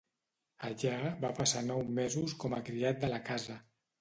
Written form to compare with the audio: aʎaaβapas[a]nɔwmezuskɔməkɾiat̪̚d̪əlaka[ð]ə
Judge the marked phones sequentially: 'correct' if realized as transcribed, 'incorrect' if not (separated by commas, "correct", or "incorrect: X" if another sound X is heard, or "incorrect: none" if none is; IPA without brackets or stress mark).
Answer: correct, incorrect: z